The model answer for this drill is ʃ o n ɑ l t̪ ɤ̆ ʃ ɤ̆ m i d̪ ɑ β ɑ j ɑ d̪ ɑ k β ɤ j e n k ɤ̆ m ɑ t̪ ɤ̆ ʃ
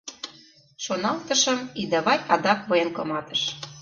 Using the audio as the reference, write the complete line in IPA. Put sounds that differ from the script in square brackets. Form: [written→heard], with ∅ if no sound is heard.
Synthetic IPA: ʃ o n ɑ l t̪ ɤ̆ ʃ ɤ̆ m i d̪ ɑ β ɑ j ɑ d̪ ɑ k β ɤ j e n k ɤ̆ m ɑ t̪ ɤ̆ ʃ